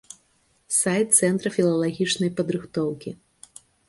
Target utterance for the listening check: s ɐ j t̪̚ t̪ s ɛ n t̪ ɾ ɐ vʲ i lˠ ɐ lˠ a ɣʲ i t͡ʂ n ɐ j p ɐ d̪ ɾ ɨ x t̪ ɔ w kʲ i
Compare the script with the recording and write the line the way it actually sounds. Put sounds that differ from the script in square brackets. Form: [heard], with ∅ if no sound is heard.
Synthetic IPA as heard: s [a] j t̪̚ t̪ s ɛ n t̪ ɾ ɐ [fʲ] i lˠ ɐ lˠ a ɣʲ i t͡ʂ n ɐ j p ɐ d̪ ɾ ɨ x t̪ ɔ w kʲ i